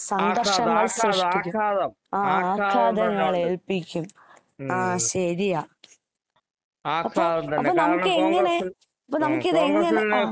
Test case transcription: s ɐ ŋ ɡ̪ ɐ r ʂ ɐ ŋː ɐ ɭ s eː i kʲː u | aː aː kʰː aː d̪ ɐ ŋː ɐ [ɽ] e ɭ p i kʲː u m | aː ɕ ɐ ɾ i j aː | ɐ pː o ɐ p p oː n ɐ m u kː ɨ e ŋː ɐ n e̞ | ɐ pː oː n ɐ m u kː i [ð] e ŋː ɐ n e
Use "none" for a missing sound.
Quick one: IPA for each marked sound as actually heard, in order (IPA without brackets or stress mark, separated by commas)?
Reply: ɭ, ð